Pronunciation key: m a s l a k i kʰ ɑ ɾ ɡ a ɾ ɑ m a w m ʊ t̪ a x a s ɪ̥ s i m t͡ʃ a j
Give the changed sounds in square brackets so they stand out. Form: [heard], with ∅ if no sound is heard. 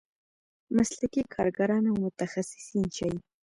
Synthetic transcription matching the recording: m a s l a k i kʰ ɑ ɾ ɡ a ɾ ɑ [n] a w m ʊ t̪ a x a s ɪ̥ s i [n] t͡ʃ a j